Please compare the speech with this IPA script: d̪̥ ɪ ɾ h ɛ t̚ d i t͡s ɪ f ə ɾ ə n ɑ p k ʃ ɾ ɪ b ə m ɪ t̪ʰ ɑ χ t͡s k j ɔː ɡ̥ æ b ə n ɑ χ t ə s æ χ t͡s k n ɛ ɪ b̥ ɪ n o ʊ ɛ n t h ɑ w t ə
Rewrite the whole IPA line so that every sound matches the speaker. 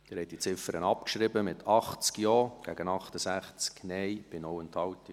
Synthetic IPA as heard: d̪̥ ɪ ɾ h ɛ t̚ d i t͡s ɪ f ə ɾ ə n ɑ p k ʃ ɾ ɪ b ə m ɪ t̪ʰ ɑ χ t͡s k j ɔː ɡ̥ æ ɡ ə n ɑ χ t ə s æ χ t͡s k n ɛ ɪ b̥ ɪ n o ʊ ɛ n t h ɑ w t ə